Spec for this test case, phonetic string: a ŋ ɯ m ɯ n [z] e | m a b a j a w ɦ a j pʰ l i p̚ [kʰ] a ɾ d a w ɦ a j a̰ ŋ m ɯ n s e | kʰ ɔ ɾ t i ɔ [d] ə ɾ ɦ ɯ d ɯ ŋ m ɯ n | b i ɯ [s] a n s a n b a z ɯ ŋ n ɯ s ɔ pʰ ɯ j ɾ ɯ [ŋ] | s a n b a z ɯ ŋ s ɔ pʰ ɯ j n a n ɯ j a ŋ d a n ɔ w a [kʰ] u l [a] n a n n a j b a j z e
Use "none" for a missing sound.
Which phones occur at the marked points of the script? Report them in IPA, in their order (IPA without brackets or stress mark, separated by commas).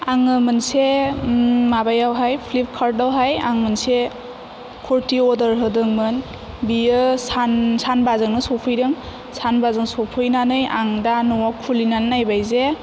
s, kʰ, d, s, ŋ, kʰ, i